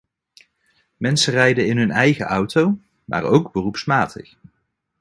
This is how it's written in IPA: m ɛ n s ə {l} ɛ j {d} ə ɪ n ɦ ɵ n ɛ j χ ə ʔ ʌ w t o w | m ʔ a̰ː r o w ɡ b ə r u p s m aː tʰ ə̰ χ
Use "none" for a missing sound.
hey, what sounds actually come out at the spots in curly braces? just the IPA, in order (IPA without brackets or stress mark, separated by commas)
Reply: r, d